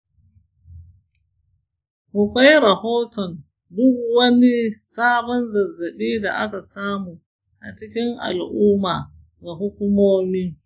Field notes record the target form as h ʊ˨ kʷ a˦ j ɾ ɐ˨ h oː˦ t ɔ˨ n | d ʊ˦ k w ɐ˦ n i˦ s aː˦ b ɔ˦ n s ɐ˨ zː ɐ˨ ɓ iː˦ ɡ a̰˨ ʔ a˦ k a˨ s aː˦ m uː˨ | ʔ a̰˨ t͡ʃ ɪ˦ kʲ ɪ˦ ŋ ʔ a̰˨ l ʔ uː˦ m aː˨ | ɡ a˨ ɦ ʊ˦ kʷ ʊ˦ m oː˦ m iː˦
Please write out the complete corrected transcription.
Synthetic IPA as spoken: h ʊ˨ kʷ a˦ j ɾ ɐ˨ h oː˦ t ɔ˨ n | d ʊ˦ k w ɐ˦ n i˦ s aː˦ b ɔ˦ n z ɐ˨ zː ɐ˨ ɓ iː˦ d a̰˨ ʔ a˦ k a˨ s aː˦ m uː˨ | ʔ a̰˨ t͡ʃ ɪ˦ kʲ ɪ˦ ŋ ʔ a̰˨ l ʔ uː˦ m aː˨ | ɡ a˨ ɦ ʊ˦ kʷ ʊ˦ m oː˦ m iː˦

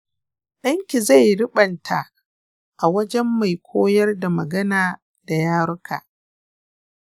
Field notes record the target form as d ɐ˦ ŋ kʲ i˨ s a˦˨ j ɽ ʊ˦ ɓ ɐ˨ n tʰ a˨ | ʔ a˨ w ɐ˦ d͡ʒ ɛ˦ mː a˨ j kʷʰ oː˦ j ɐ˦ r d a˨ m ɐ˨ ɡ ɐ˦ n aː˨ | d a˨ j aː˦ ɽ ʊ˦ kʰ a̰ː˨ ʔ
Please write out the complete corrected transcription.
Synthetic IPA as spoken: ɗ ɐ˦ ŋ kʲ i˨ z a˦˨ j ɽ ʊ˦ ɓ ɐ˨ n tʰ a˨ | ʔ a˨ w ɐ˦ d͡ʒ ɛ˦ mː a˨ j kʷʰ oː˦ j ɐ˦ r d a˨ m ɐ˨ ɡ ɐ˦ n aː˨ | d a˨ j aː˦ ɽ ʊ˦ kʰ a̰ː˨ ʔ

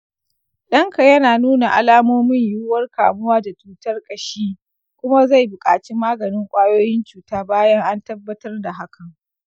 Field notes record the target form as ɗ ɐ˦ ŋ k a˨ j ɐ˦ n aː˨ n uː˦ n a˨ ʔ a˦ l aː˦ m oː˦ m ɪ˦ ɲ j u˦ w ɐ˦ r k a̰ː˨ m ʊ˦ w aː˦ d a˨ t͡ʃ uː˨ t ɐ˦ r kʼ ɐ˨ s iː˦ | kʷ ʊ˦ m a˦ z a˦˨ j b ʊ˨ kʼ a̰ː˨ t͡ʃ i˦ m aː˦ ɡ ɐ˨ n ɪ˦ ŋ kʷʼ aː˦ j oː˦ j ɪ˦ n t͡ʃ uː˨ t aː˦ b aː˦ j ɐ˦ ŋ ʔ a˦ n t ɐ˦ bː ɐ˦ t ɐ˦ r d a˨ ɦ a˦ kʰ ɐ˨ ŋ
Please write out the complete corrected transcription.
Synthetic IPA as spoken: ɗ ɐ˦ ŋ k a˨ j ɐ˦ n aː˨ n uː˦ n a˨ ʔ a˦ l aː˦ m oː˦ m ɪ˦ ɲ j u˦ w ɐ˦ r k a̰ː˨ m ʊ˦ w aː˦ d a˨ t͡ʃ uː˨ t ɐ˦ r kʼ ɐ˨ ʃ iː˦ | kʷ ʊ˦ m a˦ z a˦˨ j b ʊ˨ kʼ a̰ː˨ t͡ʃ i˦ m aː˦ ɡ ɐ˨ n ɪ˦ ŋ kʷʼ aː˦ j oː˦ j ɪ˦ n t͡ʃ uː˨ t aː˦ b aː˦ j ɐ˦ ŋ ʔ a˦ n t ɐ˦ bː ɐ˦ t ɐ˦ r d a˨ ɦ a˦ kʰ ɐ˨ ŋ

